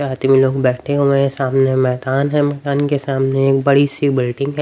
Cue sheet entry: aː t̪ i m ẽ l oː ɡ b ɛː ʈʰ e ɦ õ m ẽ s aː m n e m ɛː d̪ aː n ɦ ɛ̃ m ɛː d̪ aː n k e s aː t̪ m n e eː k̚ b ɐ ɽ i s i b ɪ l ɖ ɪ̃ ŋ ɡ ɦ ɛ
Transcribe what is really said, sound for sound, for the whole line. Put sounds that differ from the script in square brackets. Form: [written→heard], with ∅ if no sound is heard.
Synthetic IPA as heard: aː t̪ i m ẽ l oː ɡ b ɛː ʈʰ e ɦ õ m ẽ s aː m n e m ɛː d̪ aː n ɦ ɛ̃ m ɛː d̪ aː n k e s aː [t̪→∅] m n e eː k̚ b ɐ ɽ i s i b ɪ l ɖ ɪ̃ ŋ ɡ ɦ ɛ

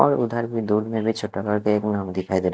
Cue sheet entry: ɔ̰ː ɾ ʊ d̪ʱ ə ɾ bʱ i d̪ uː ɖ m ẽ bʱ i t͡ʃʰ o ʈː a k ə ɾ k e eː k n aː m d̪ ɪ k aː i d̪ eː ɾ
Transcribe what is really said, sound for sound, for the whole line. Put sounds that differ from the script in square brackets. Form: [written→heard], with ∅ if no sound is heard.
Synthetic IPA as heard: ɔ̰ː ɾ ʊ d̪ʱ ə ɾ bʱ i d̪ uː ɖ m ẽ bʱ i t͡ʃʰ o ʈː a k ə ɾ k e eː k n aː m d̪ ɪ [k→kʰ] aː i d̪ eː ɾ

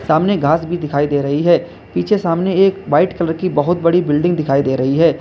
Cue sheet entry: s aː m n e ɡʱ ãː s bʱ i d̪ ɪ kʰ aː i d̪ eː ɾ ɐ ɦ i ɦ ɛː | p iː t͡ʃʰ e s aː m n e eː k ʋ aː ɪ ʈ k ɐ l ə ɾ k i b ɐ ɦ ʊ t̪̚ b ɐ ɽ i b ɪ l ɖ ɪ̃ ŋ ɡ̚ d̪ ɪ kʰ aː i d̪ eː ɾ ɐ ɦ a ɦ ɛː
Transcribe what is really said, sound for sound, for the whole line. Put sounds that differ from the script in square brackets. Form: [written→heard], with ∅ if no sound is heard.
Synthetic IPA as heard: s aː m n e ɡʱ [ãː→aː] s bʱ i d̪ ɪ kʰ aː i d̪ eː ɾ ɐ ɦ i ɦ ɛː | p iː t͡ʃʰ e s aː m n e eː k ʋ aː ɪ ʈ k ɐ l ə ɾ k i b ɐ ɦ ʊ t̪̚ b ɐ ɽ i b ɪ l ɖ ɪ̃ ŋ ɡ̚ d̪ ɪ kʰ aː i d̪ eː ɾ ɐ ɦ [a→i] ɦ ɛː

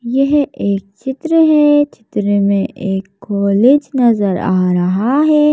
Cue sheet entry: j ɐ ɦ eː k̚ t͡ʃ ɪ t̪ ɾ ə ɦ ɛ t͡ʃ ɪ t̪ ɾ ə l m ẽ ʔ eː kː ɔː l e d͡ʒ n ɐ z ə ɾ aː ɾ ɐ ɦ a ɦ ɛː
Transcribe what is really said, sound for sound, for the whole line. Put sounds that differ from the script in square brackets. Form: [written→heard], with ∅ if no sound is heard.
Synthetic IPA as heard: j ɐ ɦ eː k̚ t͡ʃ ɪ t̪ ɾ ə ɦ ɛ t͡ʃ ɪ t̪ ɾ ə [l→∅] m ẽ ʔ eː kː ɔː l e d͡ʒ n ɐ z ə ɾ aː ɾ ɐ ɦ a ɦ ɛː

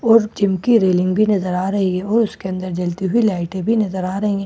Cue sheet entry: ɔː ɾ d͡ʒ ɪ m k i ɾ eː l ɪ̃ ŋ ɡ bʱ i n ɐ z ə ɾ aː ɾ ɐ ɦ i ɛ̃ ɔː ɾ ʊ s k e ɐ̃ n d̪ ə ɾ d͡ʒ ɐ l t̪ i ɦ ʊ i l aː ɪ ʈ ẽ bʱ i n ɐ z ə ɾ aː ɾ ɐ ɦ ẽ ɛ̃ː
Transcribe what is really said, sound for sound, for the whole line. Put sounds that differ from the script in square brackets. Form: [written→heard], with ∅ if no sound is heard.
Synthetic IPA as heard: ɔː ɾ d͡ʒ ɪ m k i ɾ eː l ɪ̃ ŋ ɡ bʱ i n ɐ z ə ɾ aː ɾ ɐ ɦ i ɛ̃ ɔː ɾ ʊ s k e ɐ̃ n d̪ ə ɾ d͡ʒ ɐ l t̪ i ɦ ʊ i l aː ɪ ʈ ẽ bʱ i n ɐ z ə ɾ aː ɾ ɐ ɦ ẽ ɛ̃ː

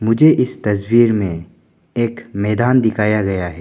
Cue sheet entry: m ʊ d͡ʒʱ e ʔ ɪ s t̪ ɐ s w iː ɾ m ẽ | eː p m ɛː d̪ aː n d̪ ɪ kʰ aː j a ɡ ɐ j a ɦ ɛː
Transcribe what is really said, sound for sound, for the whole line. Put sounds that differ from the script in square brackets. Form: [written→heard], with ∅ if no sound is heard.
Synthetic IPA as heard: m ʊ d͡ʒʱ e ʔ ɪ s t̪ ɐ s w iː ɾ m ẽ | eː [p→k] m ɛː d̪ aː n d̪ ɪ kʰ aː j a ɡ ɐ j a ɦ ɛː

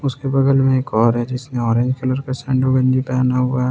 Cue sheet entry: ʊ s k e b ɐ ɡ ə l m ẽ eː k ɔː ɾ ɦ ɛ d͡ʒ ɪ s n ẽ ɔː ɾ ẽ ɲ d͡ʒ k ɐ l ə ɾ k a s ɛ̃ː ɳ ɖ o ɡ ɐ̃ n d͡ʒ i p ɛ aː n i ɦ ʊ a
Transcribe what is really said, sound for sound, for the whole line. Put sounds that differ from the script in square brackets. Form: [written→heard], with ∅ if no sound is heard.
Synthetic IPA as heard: ʊ s k e b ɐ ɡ ə l m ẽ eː k ɔː ɾ ɦ ɛ d͡ʒ ɪ s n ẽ ɔː ɾ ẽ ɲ d͡ʒ k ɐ l ə ɾ k a s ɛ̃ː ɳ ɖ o ɡ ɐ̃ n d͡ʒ i p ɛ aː n [i→a] ɦ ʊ a

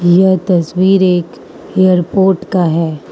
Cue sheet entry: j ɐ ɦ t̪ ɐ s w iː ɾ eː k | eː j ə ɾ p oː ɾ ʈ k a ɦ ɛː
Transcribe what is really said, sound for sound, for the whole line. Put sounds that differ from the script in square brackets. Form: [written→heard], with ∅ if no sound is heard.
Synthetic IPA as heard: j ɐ ɦ t̪ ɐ s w iː ɾ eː k | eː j ə ɾ p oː ɾ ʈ k a ɦ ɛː

